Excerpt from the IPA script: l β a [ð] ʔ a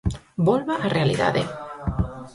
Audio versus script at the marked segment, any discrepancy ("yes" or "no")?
yes